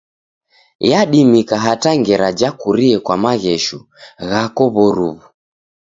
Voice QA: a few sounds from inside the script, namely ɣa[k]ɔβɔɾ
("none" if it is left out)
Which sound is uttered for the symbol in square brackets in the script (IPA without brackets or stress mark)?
k